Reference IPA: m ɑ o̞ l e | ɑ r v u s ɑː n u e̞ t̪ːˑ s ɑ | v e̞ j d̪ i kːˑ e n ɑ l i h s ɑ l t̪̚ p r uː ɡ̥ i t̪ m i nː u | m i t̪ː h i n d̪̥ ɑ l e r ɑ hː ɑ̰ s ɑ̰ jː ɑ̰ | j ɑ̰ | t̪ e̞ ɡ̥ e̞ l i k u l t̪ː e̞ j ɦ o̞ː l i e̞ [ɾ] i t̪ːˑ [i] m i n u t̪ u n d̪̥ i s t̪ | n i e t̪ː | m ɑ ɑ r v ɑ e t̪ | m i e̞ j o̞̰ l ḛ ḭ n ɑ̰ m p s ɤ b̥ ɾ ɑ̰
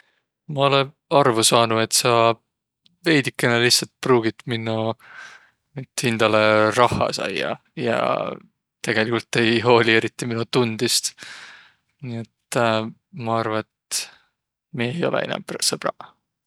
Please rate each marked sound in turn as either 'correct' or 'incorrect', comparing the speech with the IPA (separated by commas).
correct, correct